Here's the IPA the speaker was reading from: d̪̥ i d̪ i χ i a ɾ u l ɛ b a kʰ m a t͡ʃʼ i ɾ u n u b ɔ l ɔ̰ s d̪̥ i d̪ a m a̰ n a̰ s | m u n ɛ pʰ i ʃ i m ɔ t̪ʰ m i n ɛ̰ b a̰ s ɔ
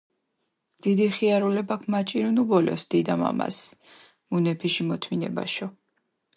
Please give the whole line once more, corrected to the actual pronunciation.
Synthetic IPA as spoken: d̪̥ i d̪ i χ i a ɾ u l ɛ b a kʰ m a t͡ʃʼ i ɾ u n u b ɔ l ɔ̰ s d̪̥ i d̪ a m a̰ m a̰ s | m u n ɛ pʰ i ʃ i m ɔ t̪ʰ m i n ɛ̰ b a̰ ʃ ɔ